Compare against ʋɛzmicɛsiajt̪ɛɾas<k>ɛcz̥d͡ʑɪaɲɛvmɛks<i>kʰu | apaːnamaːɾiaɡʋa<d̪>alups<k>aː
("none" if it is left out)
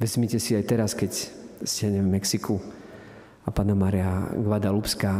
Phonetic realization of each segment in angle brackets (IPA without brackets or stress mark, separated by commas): k, i, d̪, k